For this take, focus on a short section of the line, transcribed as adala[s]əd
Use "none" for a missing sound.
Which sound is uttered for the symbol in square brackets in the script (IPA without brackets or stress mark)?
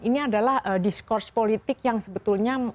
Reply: h